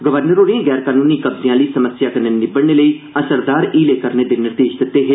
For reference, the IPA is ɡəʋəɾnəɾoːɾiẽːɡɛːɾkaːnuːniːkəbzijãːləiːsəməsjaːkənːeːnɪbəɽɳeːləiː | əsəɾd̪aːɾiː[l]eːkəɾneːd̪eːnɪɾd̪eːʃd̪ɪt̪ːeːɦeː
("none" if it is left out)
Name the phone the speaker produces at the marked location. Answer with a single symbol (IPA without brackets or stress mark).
l